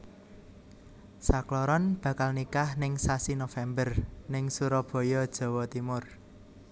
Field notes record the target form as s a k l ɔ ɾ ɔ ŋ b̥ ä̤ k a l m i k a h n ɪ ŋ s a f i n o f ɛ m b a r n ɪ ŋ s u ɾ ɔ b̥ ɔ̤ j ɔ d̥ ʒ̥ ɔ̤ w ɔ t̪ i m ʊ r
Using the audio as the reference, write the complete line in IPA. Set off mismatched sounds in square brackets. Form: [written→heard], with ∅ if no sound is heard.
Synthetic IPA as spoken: s a k l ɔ ɾ ɔ [ŋ→n] b̥ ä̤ k a l [m→n] i k a h n ɪ ŋ s a [f→s] i n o f ɛ m b [a→ə] r n ɪ ŋ s u ɾ ɔ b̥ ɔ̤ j ɔ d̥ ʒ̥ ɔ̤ w ɔ t̪ i m ʊ r